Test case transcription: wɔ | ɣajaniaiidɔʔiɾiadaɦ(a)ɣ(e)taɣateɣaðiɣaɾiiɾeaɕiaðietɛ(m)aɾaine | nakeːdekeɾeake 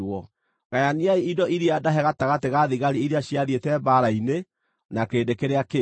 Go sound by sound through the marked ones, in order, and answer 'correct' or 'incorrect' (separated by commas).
incorrect, incorrect, incorrect